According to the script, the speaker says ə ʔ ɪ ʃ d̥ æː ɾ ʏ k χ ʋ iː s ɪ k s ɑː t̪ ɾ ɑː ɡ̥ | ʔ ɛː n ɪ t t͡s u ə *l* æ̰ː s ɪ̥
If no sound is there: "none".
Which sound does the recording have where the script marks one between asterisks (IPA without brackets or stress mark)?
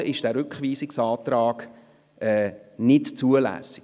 l